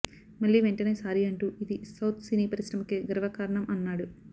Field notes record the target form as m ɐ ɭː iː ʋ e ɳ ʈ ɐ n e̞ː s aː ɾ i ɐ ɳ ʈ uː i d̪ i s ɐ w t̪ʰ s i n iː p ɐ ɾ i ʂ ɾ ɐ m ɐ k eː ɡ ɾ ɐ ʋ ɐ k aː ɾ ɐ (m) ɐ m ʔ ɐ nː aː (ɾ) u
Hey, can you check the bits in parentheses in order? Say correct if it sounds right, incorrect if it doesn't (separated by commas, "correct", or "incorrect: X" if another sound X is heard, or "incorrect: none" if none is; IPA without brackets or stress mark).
incorrect: ɳ, incorrect: ɽ